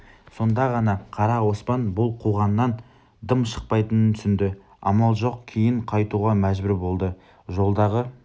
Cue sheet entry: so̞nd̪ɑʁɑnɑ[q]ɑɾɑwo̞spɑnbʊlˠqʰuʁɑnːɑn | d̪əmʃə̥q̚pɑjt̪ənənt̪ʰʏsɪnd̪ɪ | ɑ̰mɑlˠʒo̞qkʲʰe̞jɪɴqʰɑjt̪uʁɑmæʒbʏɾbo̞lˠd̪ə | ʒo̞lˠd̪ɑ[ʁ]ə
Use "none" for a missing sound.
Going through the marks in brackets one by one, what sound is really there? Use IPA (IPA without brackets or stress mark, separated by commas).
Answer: qʰ, ʁ